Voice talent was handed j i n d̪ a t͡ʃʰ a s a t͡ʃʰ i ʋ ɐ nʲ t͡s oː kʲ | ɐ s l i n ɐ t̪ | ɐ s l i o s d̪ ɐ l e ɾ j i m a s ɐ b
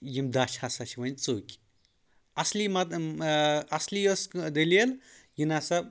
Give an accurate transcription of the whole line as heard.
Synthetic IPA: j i m d̪ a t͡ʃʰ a s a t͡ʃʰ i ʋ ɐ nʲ t͡s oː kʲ | ɐ s l i m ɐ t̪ | ɐ s l i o s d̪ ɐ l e l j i n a s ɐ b